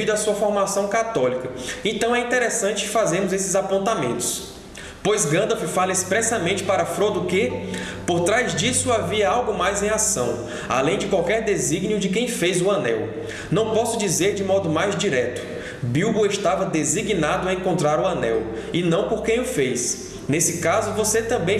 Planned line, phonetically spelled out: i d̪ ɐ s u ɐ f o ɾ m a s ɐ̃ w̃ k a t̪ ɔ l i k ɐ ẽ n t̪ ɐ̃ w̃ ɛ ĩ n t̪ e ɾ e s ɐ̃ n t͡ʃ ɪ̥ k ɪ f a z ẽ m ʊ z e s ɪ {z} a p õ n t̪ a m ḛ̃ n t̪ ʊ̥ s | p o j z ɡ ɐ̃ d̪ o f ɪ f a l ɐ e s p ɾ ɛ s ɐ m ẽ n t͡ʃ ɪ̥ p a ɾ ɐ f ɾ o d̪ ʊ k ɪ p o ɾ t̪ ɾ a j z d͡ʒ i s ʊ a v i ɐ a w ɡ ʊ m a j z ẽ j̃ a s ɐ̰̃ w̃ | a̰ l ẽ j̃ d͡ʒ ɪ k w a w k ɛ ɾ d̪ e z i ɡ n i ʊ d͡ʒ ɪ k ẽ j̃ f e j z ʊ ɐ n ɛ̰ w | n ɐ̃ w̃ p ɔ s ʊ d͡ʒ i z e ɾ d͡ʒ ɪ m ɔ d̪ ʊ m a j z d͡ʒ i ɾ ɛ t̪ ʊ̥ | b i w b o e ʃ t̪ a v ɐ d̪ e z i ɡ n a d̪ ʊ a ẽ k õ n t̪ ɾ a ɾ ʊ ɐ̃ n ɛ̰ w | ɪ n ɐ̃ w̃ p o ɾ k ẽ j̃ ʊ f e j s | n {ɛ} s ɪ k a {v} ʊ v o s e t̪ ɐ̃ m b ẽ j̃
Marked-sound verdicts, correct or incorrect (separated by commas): correct, incorrect, incorrect